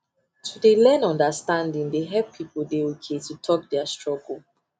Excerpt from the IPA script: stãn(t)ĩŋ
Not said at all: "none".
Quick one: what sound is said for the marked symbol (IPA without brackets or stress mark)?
d